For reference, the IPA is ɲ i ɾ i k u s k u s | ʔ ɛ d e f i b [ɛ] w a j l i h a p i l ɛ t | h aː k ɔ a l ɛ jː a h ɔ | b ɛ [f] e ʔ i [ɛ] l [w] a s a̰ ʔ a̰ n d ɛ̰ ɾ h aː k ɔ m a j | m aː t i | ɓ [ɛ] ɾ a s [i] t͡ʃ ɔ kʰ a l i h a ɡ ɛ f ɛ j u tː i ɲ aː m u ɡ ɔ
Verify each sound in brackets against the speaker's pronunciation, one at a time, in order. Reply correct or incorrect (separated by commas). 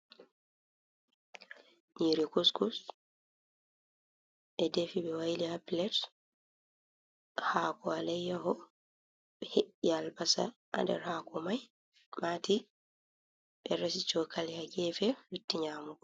correct, incorrect, incorrect, incorrect, correct, correct